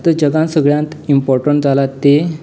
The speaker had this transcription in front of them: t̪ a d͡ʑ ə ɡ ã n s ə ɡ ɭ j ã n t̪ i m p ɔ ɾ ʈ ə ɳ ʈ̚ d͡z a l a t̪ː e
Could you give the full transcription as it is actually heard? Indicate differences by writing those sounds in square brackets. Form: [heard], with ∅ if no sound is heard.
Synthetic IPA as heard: t̪ [ə] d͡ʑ ə ɡ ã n s ə ɡ ɭ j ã n t̪ i m p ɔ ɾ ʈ ə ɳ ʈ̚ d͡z a l a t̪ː e

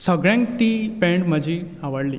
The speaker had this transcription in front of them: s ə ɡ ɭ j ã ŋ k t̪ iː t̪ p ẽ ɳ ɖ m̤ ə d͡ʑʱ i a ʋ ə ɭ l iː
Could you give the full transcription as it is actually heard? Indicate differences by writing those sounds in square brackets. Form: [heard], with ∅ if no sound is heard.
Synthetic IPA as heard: s ə ɡ ɭ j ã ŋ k t̪ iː [∅] p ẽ ɳ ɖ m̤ ə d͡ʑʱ i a ʋ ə [ɽ] l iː

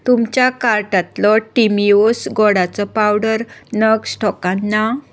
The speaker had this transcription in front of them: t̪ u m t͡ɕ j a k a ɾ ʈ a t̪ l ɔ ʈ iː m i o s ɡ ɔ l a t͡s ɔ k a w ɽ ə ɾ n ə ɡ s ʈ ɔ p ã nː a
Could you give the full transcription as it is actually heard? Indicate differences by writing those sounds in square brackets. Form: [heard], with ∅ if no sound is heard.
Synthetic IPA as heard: t̪ u m t͡ɕ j a k a ɾ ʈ a t̪ l ɔ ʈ [i] m i o s ɡ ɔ [ɽ] a t͡s ɔ [p] a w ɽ ə ɾ n ə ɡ s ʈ ɔ [k] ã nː a

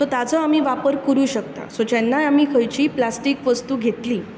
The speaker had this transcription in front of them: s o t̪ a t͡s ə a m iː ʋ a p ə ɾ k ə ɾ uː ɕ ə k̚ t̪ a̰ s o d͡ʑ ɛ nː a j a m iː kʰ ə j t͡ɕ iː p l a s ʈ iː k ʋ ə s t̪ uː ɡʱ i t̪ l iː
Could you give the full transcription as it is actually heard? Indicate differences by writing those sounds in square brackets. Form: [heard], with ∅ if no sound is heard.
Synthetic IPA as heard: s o t̪ a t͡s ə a m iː ʋ a p ə ɾ k ə ɾ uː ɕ ə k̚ t̪ a̰ s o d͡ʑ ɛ nː a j a m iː kʰ ə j t͡ɕ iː p l a s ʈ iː k ʋ ə s t̪ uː ɡʱ [e] t̪ l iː

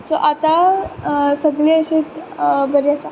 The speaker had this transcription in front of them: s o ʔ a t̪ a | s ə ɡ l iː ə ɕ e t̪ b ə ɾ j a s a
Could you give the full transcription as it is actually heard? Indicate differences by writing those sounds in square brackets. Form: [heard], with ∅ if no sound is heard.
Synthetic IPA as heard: s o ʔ a t̪ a | s ə ɡ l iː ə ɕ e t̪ b ə ɾ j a s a

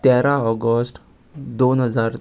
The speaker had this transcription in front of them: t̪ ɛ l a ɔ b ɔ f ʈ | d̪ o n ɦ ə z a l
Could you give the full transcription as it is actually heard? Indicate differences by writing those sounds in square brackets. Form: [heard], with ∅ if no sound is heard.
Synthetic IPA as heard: t̪ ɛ [ɾ] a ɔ [ɡ] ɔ [s] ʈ | d̪ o n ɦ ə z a [ɾ]

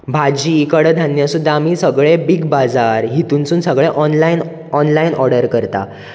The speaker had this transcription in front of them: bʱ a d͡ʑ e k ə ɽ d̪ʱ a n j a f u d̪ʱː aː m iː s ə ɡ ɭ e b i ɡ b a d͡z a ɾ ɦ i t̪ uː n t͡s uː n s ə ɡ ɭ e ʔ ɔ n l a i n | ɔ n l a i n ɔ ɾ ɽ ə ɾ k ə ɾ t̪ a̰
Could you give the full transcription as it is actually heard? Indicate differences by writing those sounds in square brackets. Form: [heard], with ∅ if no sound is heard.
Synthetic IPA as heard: bʱ a d͡ʑ [i] k ə ɽ d̪ʱ a n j a [s] u d̪ʱː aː m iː s ə ɡ ɭ e b i ɡ b a d͡z a ɾ ɦ i t̪ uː n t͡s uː n s ə ɡ ɭ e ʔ ɔ n l a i n | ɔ n l a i n ɔ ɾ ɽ ə ɾ k ə ɾ t̪ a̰

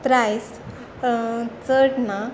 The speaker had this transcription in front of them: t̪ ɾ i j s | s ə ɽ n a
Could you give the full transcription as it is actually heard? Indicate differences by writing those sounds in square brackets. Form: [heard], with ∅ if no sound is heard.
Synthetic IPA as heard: t̪ ɾ [a] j s | [t͡s] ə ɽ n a

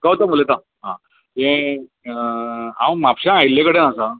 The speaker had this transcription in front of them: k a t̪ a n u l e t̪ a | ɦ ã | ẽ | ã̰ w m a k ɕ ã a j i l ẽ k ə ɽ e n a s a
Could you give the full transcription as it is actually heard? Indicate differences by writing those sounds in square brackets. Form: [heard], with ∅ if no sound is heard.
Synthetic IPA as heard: k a t̪ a [m] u l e t̪ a | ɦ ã | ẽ | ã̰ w m a [p] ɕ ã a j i l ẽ k ə ɽ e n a s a

